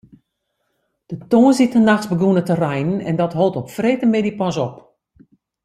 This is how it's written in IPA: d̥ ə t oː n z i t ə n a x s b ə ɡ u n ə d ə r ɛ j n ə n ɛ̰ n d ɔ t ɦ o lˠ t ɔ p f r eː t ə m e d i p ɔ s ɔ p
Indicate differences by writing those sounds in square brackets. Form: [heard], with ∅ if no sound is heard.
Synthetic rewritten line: d̥ ə t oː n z i t ə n a x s b ə ɡ u n ə [t] ə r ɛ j n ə n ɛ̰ n d ɔ t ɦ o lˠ t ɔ p f r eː t ə m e d i p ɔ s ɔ p